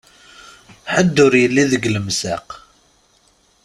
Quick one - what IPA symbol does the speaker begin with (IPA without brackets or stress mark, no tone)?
ħ